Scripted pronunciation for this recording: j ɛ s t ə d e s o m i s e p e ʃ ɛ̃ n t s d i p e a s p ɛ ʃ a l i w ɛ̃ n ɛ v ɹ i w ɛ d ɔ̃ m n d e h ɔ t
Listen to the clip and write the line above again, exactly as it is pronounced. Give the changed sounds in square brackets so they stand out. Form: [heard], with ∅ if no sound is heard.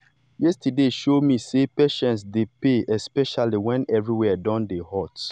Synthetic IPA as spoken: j ɛ s t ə d e [ʃ] o m i s e p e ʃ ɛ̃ n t s d [e] p e [ɛ] s p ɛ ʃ a l i w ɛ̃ n ɛ v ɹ i w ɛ d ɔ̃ [∅] n d e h ɔ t